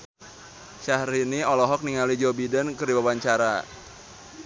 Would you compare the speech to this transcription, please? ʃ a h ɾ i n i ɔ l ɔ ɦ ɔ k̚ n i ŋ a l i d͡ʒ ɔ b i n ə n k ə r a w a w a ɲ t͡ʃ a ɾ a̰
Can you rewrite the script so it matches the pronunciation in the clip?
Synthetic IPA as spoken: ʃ a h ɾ i n i ɔ l ɔ ɦ ɔ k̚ n i ŋ a l i d͡ʒ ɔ b i d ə n k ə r i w a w a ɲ t͡ʃ a ɾ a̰